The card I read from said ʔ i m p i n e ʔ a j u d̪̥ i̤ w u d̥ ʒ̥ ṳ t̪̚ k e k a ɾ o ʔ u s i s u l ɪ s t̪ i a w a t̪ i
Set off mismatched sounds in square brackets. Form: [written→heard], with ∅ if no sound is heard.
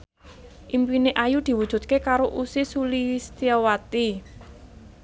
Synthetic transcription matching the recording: ʔ i m p i n e ʔ a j u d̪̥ i̤ w u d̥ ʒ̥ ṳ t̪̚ k e k a ɾ o ʔ u s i s u l [ɪ→i] s t̪ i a w a t̪ i